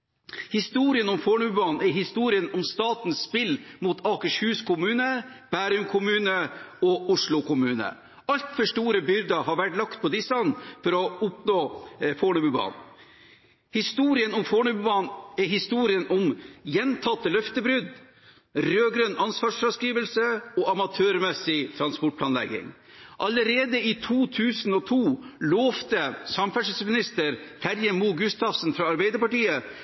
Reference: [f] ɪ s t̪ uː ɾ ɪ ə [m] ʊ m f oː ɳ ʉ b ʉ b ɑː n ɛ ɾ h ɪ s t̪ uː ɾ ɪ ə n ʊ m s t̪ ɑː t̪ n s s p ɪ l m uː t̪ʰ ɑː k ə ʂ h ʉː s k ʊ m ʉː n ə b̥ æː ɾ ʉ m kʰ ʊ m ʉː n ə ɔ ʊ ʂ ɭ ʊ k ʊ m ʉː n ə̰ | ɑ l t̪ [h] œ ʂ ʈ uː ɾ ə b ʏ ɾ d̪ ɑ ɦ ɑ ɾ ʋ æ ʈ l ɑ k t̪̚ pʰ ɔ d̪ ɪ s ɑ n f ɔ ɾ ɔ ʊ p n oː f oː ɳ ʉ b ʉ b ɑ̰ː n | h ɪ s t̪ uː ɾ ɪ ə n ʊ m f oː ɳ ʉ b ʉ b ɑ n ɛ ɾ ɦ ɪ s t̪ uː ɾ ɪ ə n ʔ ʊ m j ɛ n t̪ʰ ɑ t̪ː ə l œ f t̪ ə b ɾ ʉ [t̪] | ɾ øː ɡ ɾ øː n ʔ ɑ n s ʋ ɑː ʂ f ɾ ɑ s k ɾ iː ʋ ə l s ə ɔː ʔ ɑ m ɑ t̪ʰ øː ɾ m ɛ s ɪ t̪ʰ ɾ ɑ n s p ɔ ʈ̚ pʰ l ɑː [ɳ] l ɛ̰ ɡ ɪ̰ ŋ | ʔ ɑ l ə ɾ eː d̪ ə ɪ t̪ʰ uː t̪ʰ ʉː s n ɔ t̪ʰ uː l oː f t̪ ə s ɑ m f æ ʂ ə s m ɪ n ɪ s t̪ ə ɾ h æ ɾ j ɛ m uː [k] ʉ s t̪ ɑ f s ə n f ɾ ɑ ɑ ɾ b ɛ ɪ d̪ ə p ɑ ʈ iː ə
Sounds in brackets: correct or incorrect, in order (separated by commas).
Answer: incorrect, incorrect, incorrect, incorrect, incorrect, incorrect